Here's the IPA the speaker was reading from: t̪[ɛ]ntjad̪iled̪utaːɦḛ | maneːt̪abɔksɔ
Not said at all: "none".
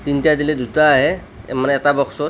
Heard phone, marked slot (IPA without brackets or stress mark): i